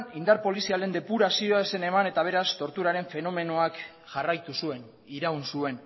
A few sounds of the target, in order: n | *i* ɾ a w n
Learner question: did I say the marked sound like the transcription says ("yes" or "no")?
yes